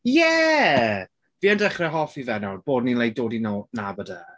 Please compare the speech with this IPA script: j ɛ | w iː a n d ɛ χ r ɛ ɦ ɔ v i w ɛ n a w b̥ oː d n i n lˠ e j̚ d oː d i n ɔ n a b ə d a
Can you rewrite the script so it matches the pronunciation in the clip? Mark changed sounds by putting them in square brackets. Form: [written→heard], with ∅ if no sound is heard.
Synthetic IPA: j ɛ | [w→v] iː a n d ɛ χ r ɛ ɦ ɔ [v→f] i [w→v] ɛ n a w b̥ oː d n i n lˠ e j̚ d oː d i n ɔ n a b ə d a